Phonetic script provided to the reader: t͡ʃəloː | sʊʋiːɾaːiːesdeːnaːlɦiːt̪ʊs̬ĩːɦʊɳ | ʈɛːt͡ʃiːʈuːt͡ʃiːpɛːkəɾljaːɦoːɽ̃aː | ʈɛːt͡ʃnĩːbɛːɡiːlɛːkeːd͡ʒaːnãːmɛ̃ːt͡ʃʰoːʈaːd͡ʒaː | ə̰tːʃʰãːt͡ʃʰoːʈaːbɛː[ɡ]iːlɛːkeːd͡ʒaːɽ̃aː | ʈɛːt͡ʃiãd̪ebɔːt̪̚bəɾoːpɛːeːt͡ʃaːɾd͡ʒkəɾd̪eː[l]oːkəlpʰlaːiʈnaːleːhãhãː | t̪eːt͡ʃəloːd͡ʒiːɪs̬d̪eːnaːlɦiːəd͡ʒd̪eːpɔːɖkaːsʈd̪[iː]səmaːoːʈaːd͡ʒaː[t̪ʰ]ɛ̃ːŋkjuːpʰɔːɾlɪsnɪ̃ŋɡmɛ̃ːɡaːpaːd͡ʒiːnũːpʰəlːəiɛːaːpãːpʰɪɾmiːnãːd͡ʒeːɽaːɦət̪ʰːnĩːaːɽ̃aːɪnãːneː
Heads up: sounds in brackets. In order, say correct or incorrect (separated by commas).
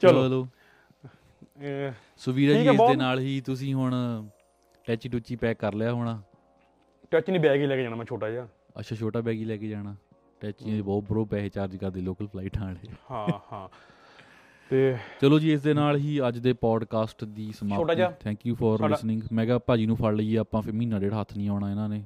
correct, correct, correct, correct